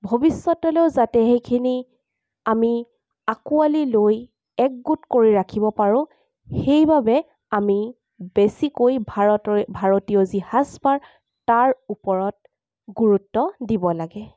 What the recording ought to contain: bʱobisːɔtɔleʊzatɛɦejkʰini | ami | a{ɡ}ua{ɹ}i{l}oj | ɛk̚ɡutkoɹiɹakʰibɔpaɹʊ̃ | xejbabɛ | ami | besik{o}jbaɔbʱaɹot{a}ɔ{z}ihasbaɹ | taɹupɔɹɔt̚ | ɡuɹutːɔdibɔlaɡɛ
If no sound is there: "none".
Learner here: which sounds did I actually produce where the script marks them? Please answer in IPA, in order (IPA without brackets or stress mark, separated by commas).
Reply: k, l, l, o, i, z